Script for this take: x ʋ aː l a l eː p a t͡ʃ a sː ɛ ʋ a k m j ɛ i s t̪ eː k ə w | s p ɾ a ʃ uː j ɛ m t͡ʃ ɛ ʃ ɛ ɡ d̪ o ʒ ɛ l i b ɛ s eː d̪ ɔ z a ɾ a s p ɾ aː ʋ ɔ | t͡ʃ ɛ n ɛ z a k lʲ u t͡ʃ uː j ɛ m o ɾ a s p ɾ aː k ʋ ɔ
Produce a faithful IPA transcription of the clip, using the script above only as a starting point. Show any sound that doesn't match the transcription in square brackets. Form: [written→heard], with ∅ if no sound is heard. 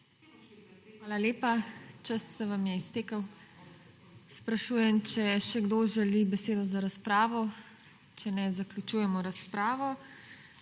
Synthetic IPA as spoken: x ʋ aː l a l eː p a t͡ʃ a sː ɛ ʋ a [k→∅] m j ɛ i s t̪ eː k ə w | s p ɾ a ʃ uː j ɛ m t͡ʃ ɛ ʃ ɛ ɡ d̪ o ʒ ɛ l i b ɛ s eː d̪ ɔ z a ɾ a s p ɾ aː ʋ ɔ | t͡ʃ ɛ n ɛ z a k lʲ u t͡ʃ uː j ɛ m [o→ɔ] ɾ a s p ɾ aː [k→∅] ʋ ɔ